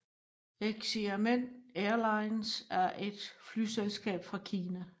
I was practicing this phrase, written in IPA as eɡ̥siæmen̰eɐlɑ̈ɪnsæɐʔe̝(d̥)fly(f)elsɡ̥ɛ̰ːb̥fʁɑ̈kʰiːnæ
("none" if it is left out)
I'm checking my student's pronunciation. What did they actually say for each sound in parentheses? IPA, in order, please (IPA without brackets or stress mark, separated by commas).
d̥, s